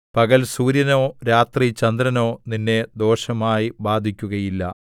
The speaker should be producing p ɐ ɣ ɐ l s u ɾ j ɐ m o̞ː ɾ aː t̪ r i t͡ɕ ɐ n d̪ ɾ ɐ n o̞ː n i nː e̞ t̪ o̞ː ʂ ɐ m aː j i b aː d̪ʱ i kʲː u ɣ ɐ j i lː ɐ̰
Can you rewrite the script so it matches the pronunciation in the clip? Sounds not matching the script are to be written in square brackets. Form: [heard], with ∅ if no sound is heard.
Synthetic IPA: p ɐ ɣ ɐ l s [uː] ɾ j ɐ [n] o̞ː ɾ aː t̪ r i t͡ɕ ɐ n d̪ ɾ ɐ n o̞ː n i nː e̞ [d̪] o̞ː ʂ ɐ m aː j i b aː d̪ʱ i kʲː u ɣ ɐ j i lː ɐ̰